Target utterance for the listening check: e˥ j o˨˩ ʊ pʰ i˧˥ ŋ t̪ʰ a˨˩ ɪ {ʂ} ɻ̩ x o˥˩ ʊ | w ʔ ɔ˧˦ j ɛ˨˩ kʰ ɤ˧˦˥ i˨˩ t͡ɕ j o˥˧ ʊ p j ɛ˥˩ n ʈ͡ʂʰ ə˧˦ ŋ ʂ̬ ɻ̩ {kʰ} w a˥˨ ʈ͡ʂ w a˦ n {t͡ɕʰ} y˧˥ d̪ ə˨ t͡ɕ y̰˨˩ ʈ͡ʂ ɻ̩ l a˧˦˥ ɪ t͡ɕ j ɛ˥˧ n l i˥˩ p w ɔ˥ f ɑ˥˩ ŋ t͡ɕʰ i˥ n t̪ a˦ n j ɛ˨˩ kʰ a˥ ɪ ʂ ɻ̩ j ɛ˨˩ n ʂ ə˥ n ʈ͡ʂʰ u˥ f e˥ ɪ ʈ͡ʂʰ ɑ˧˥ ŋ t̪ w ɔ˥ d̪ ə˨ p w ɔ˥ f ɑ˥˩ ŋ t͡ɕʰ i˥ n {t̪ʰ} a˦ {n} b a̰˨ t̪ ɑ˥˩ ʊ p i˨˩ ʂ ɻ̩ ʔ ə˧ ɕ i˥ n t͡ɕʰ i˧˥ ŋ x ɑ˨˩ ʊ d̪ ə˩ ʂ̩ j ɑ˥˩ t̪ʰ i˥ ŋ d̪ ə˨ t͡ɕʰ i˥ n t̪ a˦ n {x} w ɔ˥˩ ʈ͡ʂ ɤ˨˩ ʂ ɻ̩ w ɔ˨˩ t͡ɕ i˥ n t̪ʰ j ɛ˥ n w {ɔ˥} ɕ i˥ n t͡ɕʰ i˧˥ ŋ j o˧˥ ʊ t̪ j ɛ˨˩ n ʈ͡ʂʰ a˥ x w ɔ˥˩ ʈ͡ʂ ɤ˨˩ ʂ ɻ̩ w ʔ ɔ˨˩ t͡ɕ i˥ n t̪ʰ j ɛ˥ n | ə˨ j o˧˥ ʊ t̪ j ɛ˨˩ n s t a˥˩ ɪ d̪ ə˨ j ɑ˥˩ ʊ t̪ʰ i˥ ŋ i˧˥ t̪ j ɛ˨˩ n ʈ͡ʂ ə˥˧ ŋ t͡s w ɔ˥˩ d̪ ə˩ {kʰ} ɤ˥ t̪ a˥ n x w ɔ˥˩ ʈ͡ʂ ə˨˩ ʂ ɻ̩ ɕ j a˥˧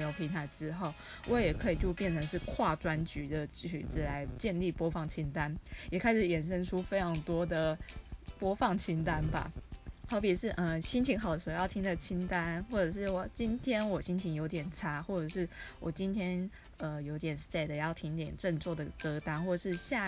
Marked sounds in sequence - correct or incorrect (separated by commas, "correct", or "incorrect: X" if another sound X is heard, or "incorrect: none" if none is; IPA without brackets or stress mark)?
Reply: incorrect: ʈ͡ʂ, correct, incorrect: t͡ɕ, incorrect: t̪, correct, correct, incorrect: ɔ˨˩, incorrect: k